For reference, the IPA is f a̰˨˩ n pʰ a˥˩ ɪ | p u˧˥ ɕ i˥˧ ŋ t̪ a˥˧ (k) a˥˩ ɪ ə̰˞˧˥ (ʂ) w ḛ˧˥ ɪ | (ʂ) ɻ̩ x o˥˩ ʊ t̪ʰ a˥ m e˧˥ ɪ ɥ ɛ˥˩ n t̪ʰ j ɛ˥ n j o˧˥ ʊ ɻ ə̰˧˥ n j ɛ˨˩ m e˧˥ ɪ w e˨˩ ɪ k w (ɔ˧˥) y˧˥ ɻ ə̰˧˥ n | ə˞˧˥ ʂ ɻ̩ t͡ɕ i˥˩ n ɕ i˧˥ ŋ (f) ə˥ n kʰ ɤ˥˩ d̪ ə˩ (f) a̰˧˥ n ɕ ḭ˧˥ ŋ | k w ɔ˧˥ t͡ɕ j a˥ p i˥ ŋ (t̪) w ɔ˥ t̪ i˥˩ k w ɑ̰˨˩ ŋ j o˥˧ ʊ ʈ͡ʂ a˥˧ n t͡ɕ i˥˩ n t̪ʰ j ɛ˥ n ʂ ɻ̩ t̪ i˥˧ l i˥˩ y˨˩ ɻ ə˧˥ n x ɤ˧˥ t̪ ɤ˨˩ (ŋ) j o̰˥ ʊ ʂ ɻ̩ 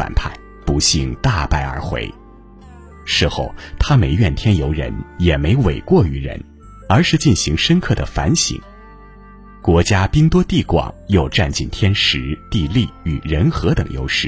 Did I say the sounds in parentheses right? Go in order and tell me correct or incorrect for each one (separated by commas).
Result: incorrect, incorrect, correct, incorrect, incorrect, correct, correct, correct